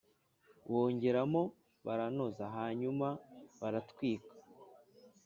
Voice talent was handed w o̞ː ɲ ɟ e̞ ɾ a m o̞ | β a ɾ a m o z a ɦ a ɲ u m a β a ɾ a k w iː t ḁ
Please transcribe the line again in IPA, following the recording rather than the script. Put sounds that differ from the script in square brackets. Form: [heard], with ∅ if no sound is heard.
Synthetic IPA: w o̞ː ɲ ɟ e̞ ɾ a m o̞ | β a ɾ a [n] o z a ɦ a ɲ u m a β a ɾ a [t] w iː [k] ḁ